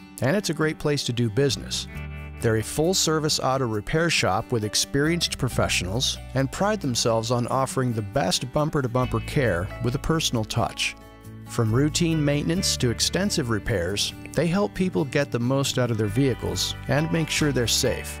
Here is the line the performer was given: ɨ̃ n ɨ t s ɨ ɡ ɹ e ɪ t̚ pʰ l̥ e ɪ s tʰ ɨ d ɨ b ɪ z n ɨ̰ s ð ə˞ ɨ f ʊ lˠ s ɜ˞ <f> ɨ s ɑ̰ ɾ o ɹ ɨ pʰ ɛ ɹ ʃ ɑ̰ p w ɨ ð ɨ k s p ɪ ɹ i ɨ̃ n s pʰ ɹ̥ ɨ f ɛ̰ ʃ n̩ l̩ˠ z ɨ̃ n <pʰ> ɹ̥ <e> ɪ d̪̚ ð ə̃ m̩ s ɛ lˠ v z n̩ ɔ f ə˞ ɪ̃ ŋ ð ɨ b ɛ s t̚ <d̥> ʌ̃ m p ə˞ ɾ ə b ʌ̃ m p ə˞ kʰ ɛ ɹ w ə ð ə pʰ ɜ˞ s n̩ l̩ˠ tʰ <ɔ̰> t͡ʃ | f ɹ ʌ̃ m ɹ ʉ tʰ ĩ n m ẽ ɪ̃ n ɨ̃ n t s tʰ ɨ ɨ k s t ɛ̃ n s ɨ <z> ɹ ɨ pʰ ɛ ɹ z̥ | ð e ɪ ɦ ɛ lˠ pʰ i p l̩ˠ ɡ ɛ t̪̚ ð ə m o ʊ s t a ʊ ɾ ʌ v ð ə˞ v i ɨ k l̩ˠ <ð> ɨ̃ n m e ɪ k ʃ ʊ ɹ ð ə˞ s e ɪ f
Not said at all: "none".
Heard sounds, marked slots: v, pʰ, a, b̥, ʌ̰, v, z

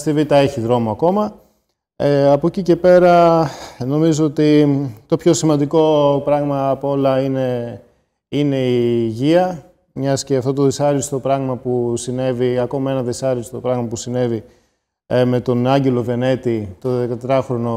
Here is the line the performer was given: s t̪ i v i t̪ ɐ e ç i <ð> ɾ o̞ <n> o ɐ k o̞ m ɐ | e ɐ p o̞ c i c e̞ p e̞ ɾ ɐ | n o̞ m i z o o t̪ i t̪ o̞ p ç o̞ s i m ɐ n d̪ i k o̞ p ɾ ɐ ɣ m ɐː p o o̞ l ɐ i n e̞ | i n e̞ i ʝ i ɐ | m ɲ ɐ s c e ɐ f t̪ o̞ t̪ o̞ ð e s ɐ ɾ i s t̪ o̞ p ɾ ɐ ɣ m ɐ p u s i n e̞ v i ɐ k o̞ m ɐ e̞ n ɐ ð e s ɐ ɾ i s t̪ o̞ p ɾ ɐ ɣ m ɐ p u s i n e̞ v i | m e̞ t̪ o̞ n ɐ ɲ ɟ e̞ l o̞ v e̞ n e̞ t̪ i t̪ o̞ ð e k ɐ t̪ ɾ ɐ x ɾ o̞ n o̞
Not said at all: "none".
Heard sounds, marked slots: ð, m

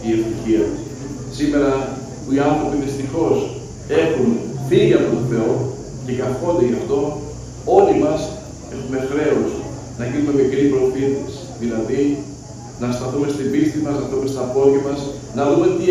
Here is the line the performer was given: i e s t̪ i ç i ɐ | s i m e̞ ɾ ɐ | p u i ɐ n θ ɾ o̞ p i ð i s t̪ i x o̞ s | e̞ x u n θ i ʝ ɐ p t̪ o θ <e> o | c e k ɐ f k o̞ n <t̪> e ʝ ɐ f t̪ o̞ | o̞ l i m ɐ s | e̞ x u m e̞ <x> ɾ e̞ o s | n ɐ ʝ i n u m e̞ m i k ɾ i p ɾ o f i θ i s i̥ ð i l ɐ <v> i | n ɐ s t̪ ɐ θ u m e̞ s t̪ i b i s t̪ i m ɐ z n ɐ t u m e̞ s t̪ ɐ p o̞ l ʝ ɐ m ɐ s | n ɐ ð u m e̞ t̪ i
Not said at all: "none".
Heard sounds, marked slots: e, d̪, x, ð

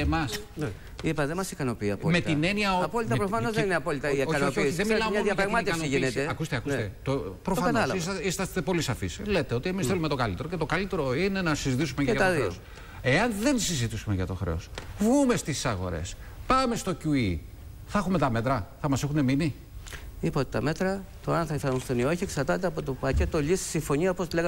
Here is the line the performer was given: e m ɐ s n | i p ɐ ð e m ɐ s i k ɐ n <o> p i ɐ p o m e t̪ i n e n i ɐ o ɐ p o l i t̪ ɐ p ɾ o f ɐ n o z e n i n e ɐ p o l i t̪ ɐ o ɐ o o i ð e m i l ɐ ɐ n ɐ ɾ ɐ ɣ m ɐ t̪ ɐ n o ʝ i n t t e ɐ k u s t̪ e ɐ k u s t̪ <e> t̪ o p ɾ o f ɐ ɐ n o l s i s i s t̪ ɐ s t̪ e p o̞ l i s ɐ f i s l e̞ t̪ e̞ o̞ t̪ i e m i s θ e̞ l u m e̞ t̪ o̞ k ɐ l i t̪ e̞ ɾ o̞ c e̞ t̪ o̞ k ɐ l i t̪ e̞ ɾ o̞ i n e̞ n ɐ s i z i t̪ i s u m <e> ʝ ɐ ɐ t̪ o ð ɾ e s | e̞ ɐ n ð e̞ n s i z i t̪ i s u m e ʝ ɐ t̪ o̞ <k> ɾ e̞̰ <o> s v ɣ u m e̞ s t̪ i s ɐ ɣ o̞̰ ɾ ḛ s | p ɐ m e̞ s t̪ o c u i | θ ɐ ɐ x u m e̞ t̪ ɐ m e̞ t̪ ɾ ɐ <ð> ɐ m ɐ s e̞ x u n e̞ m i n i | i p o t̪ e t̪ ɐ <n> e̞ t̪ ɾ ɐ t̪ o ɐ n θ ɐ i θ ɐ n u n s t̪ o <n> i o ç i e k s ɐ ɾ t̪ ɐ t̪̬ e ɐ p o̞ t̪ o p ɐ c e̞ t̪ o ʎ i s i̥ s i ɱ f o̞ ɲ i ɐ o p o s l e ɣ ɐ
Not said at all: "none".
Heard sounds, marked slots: o, e, e, x, o, θ, m, n

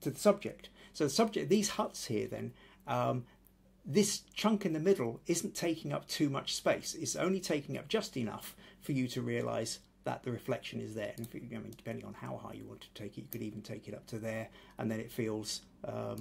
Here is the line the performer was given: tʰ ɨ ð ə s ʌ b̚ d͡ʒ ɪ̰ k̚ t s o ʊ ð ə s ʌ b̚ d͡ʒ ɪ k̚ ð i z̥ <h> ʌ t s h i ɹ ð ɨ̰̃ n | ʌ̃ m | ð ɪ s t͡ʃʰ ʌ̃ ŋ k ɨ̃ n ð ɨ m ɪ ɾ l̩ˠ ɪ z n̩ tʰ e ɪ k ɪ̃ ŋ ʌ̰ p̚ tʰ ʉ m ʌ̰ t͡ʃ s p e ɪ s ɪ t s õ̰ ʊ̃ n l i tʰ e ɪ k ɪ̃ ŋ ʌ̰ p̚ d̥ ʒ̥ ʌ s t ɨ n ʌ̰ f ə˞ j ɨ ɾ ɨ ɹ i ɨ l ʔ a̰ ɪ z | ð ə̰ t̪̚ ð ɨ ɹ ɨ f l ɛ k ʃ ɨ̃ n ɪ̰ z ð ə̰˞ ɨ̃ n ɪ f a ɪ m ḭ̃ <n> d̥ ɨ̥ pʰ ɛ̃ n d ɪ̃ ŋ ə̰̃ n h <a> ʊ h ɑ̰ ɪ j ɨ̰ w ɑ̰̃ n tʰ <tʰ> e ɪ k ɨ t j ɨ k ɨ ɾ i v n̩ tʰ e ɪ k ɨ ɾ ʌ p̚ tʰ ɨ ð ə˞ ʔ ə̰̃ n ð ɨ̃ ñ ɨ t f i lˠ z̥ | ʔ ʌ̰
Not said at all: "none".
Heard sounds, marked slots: h, n, a, tʰ

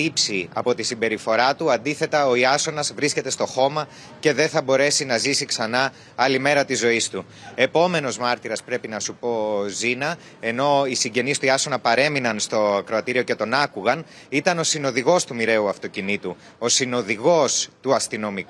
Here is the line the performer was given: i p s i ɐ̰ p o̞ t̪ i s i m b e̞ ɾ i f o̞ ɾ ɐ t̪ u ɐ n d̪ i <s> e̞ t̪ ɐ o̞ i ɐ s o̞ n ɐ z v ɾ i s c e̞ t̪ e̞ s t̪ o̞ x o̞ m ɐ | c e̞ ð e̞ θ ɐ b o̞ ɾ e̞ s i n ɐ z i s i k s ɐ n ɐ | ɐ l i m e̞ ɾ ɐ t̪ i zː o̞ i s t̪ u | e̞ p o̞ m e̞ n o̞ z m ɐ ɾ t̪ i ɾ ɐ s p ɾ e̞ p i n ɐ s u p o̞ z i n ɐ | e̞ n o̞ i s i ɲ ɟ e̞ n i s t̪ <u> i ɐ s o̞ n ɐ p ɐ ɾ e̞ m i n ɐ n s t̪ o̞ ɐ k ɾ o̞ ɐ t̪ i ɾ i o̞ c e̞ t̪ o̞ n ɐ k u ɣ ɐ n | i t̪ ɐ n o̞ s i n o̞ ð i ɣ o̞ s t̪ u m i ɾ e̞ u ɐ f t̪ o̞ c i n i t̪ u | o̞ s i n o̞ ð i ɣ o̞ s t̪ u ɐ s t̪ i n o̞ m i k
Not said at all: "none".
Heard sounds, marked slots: θ, u

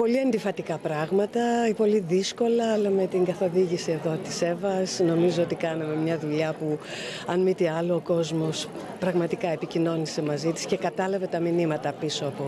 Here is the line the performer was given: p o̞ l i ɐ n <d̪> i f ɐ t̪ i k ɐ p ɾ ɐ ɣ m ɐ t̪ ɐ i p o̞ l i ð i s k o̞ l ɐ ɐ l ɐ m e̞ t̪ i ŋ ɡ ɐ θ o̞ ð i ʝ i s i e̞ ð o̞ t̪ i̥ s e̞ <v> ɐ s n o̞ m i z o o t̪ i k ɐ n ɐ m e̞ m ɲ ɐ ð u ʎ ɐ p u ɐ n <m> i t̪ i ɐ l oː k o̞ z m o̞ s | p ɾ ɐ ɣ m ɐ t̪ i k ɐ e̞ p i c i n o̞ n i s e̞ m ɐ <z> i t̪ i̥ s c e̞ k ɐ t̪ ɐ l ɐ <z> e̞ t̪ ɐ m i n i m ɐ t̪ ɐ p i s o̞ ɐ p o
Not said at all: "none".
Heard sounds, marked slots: d̪, v, m, z, v

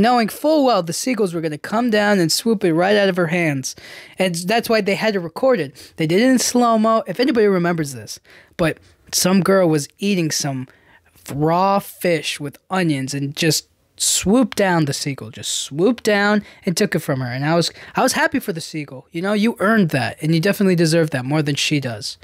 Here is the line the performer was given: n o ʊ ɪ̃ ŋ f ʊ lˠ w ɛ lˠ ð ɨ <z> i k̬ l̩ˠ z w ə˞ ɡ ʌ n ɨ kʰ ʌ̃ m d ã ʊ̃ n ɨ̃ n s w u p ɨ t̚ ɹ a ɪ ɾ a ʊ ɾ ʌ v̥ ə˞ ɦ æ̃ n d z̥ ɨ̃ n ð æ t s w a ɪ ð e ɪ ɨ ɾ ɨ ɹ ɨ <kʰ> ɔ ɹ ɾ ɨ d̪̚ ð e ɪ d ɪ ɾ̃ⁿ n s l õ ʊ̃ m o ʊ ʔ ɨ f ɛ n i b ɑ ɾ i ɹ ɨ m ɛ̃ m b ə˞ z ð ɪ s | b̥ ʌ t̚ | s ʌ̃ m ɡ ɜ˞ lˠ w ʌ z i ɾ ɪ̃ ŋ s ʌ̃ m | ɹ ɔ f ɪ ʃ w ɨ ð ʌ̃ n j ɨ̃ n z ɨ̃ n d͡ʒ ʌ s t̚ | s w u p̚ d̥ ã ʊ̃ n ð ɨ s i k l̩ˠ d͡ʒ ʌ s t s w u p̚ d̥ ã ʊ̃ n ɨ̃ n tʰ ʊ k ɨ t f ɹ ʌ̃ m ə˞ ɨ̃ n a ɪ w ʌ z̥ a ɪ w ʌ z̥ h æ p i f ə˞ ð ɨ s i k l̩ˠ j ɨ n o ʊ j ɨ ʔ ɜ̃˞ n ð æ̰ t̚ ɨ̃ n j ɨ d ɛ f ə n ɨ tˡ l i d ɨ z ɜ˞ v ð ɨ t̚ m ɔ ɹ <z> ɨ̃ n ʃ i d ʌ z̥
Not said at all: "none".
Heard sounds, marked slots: s, kʰ, ð

